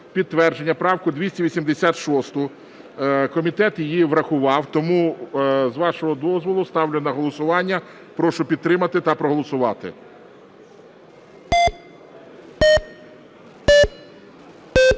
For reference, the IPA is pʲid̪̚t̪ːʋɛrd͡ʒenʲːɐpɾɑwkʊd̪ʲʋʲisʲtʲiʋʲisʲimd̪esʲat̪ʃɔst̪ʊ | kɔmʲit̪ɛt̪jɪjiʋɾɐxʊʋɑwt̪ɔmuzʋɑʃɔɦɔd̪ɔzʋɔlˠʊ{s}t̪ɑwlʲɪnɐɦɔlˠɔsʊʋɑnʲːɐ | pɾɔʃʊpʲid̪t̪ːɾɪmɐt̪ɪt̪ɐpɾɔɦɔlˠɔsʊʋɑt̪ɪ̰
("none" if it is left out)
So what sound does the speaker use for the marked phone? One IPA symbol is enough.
s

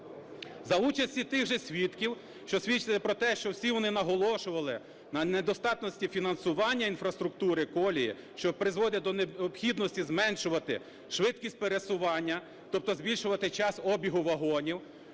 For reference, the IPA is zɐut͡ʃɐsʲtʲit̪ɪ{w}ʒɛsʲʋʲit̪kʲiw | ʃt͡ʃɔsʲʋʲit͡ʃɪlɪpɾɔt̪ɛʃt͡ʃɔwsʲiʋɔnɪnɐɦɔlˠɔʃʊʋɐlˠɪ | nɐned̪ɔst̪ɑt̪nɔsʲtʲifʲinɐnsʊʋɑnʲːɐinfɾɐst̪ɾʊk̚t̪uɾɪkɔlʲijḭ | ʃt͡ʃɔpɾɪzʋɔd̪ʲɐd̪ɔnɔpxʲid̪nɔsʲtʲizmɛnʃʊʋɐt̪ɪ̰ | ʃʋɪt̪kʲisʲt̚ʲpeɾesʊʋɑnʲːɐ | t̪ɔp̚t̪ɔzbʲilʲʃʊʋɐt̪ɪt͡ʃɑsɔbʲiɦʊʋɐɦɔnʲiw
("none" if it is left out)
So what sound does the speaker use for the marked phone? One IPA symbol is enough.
ɣ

